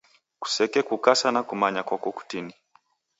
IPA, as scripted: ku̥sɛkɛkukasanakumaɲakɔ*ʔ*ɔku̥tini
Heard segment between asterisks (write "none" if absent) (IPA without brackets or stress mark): k